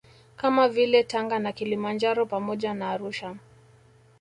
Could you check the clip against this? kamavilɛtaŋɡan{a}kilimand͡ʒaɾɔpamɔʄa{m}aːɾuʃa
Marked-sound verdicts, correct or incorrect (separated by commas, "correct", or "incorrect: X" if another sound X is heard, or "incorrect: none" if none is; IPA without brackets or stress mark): correct, incorrect: n